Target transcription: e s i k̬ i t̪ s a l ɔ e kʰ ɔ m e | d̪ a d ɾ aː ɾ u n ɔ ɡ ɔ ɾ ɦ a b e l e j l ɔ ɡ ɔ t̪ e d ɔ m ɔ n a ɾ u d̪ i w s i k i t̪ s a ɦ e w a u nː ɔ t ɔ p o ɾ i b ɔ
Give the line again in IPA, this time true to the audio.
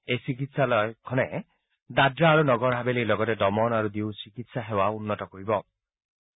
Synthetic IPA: e s i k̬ i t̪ s a l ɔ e kʰ ɔ n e | d̪ a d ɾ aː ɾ u n ɔ ɡ ɔ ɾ ɦ a b e l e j l ɔ ɡ ɔ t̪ e d ɔ m ɔ n a ɾ u d̪ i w s i k i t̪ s a ɦ e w a u nː ɔ t ɔ k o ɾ i b ɔ